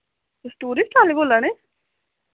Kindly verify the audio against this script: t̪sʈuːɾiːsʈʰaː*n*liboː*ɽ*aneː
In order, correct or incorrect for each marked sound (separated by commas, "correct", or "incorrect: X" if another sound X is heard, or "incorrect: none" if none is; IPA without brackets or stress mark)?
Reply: incorrect: none, incorrect: l